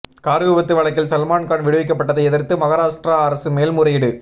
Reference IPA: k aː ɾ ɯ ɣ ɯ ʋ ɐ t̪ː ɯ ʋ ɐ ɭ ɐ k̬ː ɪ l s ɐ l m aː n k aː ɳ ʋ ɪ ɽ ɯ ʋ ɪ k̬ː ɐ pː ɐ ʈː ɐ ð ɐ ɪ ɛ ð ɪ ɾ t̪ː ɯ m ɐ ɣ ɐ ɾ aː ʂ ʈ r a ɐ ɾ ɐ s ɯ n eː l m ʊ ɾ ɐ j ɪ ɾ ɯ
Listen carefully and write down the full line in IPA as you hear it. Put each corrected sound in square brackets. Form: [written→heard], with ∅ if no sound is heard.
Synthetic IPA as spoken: k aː ɾ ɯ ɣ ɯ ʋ ɐ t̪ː ɯ ʋ ɐ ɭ ɐ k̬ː ɪ l s ɐ l m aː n k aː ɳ ʋ ɪ ɽ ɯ ʋ ɪ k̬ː ɐ pː ɐ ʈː ɐ ð ɐ ɪ ɛ ð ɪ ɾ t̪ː ɯ m ɐ ɣ ɐ ɾ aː ʂ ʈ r a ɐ ɾ ɐ s ɯ [n→m] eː l m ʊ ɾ ɐ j ɪ [ɾ→ɽ] ɯ

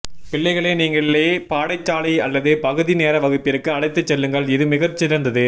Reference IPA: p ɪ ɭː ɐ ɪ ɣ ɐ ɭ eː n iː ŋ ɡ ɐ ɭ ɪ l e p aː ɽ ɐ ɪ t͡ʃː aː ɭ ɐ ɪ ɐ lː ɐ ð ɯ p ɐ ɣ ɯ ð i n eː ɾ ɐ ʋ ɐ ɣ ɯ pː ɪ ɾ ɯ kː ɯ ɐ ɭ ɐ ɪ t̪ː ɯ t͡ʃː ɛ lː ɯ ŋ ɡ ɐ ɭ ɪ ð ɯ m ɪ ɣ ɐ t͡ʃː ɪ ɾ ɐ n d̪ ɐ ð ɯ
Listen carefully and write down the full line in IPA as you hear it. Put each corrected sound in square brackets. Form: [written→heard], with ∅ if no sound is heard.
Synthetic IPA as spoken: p ɪ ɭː ɐ ɪ ɣ ɐ ɭ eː n iː ŋ ɡ ɐ ɭ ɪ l e p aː ɽ ɐ ɪ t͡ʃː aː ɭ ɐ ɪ ɐ lː ɐ ð ɯ p ɐ ɣ ɯ ð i n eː ɾ ɐ ʋ ɐ ɣ ɯ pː ɪ ɾ ɯ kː ɯ ɐ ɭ ɐ ɪ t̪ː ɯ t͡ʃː ɛ lː ɯ ŋ ɡ ɐ ɭ ɪ ð ɯ m ɪ ɣ ɐ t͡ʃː ɪ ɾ ɐ n d̪ ɐ ð ɯ

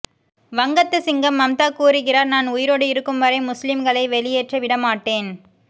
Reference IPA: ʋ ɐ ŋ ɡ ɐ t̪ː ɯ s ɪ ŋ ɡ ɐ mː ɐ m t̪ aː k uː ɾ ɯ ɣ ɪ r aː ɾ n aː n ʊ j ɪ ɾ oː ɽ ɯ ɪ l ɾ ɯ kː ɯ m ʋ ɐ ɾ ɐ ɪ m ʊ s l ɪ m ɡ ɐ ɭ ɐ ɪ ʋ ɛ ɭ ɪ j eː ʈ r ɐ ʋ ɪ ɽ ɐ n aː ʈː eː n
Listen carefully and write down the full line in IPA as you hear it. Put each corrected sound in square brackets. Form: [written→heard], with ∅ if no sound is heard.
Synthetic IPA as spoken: ʋ ɐ ŋ ɡ ɐ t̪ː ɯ s ɪ ŋ ɡ ɐ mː ɐ m t̪ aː k uː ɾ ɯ ɣ ɪ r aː ɾ n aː n ʊ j ɪ ɾ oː ɽ ɯ ɪ [l→∅] ɾ ɯ kː ɯ m ʋ ɐ ɾ ɐ ɪ m ʊ s l ɪ m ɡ ɐ ɭ ɐ ɪ ʋ ɛ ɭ ɪ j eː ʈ r ɐ ʋ ɪ ɽ ɐ [n→m] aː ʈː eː n

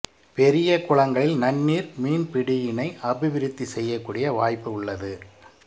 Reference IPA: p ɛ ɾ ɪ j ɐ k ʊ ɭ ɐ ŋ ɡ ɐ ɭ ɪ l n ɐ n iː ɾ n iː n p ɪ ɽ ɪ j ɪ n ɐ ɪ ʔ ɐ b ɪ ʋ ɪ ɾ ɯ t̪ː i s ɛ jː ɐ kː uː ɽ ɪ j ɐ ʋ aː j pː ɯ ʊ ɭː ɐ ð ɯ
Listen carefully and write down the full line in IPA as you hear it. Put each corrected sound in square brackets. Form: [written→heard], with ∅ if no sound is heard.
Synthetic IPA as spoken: p ɛ ɾ ɪ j ɐ k ʊ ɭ ɐ ŋ ɡ ɐ ɭ ɪ l n ɐ [n→nː] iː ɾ [n→m] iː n p ɪ ɽ ɪ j ɪ n ɐ ɪ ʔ ɐ b ɪ ʋ ɪ ɾ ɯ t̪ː i s ɛ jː ɐ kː uː ɽ ɪ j ɐ ʋ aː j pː ɯ ʊ ɭː ɐ ð ɯ

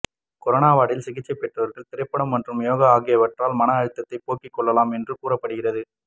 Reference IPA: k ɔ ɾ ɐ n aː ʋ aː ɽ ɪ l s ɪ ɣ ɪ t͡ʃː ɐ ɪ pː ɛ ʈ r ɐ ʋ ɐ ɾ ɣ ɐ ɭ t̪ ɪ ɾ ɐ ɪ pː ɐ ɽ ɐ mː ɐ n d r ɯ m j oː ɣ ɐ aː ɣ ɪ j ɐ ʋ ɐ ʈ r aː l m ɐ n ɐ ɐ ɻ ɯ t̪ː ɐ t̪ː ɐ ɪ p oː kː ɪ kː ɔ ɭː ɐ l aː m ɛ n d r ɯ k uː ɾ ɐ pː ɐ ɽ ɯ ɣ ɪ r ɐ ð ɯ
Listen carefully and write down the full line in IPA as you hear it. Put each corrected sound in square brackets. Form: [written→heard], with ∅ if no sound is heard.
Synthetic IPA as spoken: k ɔ ɾ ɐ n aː ʋ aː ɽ ɪ l s ɪ ɣ ɪ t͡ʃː ɐ ɪ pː ɛ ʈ r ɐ ʋ ɐ ɾ ɣ ɐ ɭ t̪ ɪ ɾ ɐ ɪ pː ɐ ɽ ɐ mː ɐ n d r ɯ m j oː ɣ ɐ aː ɣ ɪ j ɐ ʋ ɐ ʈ r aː l m ɐ n ɐ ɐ ɻ ɯ t̪ː ɐ t̪ː ɐ ɪ p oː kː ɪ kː ɔ ɭː ɐ l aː m ɛ n d r ɯ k uː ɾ ɐ pː ɐ ɽ ɯ ɣ ɪ r ɐ ð ɯ

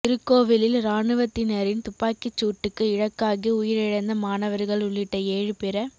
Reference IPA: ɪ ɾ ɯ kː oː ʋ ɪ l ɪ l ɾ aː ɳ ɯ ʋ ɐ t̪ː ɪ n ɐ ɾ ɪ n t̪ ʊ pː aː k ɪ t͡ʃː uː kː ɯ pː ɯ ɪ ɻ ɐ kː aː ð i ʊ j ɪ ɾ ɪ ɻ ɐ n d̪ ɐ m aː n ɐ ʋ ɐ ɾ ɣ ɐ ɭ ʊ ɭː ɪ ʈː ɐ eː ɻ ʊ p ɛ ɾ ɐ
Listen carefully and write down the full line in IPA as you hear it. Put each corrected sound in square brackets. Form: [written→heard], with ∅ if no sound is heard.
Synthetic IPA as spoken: ɪ ɾ ɯ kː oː ʋ ɪ l ɪ l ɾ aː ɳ ɯ ʋ ɐ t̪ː ɪ n ɐ ɾ ɪ n t̪ ʊ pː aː k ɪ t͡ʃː uː [kː→ʈː] ɯ [pː→kː] ɯ ɪ ɻ ɐ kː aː [ð→ɣ] i ʊ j ɪ ɾ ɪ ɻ ɐ n d̪ ɐ m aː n ɐ ʋ ɐ ɾ ɣ ɐ ɭ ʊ ɭː ɪ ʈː ɐ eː ɻ [ʊ→ɯ] p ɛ ɾ ɐ

